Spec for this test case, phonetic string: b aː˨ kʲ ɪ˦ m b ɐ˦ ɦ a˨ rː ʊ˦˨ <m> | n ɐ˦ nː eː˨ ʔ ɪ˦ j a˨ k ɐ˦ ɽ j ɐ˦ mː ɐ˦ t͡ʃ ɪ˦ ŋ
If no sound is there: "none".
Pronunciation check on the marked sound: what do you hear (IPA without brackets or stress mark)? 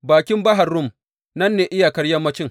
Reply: m